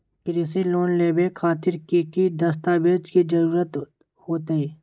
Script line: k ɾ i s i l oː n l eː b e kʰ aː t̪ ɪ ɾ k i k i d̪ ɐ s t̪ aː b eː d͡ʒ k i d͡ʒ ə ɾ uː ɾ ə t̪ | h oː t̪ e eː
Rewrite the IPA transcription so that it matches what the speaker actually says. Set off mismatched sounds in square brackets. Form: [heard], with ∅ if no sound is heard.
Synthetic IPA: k ɾ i s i l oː n l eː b e kʰ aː t̪ ɪ ɾ k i k i d̪ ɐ s t̪ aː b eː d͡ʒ k i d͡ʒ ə ɾ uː ɾ ə t̪ | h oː t̪ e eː

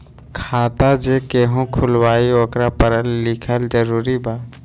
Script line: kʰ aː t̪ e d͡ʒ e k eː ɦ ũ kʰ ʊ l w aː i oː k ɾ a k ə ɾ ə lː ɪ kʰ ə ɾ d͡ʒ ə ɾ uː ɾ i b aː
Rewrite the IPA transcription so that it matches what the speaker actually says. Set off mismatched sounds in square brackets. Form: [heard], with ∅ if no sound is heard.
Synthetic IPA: kʰ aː t̪ [a] d͡ʒ e k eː ɦ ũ kʰ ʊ l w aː i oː k ɾ a [p] ə ɾ ə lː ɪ kʰ ə [l] d͡ʒ ə ɾ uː ɾ i b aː

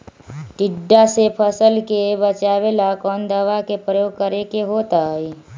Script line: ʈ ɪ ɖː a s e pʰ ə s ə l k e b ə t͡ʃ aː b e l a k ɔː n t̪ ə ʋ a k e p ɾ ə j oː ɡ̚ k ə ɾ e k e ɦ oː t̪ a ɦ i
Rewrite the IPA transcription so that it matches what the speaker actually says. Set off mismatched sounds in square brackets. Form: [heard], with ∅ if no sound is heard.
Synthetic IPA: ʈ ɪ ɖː a s e pʰ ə s ə l k e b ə t͡ʃ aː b e l a k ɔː n [d̪] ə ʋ a k e p ɾ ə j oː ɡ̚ k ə ɾ e k e ɦ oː t̪ a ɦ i

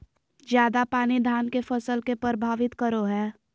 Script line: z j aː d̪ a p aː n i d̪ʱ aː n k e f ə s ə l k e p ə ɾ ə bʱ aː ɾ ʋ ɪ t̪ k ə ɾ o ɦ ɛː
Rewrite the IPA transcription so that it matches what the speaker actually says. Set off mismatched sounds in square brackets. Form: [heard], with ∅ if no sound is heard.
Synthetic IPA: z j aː d̪ a p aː n i d̪ʱ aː n k e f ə s ə l k e p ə ɾ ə bʱ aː [∅] ʋ ɪ t̪ k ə ɾ o ɦ ɛː

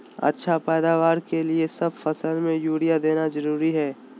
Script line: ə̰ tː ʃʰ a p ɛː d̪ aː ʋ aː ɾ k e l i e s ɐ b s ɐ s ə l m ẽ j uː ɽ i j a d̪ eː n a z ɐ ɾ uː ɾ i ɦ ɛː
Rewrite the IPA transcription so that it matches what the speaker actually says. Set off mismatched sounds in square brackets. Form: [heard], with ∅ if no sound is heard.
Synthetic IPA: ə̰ tː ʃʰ a p ɛː d̪ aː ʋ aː ɾ k e l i e s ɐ b [f] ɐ s ə l m ẽ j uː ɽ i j a d̪ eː n a z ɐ ɾ uː ɾ i ɦ ɛː

